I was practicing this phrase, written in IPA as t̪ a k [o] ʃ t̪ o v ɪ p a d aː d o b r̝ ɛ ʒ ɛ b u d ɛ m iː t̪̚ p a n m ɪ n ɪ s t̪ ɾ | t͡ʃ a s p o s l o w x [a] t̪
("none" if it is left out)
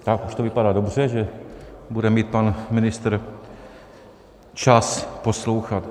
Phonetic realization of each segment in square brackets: u, a

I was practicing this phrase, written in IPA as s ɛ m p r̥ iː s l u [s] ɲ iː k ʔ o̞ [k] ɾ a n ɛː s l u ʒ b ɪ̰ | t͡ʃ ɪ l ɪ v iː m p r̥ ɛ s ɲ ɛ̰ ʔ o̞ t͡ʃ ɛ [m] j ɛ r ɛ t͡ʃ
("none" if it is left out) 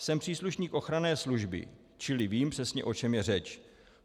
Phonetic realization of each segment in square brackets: ʃ, x, m

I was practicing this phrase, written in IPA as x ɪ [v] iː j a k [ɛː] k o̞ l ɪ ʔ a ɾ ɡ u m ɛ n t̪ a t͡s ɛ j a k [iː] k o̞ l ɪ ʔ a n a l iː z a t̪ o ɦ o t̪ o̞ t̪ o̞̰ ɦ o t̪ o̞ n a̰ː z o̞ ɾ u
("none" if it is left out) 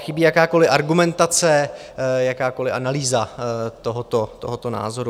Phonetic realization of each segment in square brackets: b, aː, aː

